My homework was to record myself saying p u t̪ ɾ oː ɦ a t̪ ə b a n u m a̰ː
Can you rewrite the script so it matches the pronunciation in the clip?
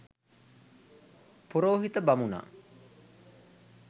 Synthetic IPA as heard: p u ɾ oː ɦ i t̪ ə b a m u n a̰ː

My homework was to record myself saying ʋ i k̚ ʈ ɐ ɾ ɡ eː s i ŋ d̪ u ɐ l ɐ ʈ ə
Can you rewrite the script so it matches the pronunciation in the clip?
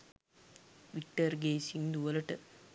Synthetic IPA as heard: ʋ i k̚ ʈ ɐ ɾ ɡ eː s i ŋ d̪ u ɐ l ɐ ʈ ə

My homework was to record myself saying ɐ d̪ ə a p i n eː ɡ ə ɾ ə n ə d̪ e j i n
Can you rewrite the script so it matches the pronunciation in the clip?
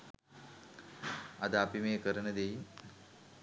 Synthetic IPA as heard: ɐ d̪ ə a p i m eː k ə ɾ ə n ə d̪ e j i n

